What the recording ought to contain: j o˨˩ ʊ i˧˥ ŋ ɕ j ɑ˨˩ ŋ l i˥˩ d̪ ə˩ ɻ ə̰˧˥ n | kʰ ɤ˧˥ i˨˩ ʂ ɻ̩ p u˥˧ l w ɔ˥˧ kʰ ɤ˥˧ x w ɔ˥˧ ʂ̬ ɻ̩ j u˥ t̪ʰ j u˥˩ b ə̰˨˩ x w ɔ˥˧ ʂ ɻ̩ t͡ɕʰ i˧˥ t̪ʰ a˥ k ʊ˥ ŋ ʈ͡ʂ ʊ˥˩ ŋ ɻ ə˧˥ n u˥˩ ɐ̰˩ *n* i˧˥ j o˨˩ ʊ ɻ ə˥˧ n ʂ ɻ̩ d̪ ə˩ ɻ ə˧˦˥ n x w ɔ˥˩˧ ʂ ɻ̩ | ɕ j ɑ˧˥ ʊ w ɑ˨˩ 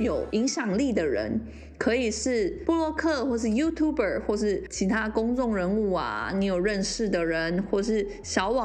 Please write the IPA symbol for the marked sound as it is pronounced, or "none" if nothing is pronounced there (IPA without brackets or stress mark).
n